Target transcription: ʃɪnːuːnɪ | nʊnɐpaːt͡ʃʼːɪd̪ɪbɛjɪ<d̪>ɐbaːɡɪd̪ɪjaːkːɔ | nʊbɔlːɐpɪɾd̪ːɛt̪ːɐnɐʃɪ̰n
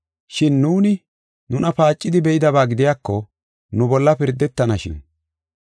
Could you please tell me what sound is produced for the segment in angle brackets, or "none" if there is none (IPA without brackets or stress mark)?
d̪